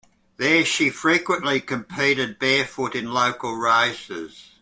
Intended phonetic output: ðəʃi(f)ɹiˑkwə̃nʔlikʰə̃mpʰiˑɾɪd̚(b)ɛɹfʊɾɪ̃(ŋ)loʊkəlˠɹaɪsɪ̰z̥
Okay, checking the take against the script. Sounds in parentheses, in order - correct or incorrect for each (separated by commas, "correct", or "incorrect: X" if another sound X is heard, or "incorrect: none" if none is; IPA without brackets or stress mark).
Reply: correct, correct, incorrect: n